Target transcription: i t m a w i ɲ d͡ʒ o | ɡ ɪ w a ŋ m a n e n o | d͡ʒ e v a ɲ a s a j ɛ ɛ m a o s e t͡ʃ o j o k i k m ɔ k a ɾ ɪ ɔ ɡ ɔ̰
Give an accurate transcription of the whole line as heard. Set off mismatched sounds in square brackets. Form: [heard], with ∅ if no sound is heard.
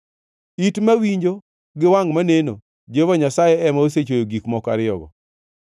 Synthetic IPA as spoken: i t m a w i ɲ d͡ʒ o | ɡ ɪ w a ŋ m a n e n o | d͡ʒ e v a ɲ a s a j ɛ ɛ m a o s e t͡ʃ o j o [ɡ] i k m ɔ k a ɾ ɪ ɔ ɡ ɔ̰